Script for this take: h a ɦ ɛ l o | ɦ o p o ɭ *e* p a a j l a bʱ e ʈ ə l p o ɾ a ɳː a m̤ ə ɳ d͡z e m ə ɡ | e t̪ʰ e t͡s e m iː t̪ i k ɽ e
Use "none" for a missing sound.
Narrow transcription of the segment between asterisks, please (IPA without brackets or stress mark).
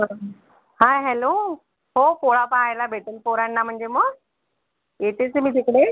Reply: a